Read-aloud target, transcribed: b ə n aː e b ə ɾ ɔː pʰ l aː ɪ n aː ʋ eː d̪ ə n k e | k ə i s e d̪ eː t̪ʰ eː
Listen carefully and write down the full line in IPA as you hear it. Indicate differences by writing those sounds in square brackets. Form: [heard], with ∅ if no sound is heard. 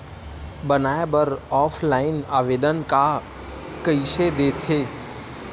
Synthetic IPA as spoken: b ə n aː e b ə ɾ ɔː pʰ l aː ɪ n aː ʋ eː d̪ ə n k [a] | k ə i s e d̪ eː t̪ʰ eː